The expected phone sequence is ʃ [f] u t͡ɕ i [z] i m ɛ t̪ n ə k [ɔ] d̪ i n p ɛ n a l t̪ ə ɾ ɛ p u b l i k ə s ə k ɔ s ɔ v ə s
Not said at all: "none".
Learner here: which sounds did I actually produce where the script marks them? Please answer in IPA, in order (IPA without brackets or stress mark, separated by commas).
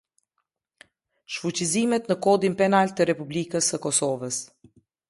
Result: f, z, ɔ